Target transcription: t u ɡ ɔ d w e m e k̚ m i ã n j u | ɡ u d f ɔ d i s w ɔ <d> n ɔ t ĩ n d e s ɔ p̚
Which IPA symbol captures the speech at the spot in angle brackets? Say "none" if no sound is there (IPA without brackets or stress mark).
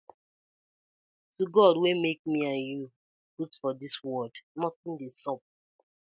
d